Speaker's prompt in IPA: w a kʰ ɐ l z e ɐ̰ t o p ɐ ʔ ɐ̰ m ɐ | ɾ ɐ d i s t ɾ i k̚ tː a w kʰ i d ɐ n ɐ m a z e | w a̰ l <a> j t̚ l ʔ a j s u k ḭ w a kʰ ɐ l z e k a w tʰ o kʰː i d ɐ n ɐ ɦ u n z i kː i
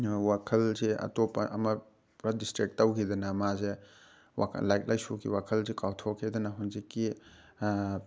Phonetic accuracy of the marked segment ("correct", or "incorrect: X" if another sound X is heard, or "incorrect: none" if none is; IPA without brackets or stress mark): correct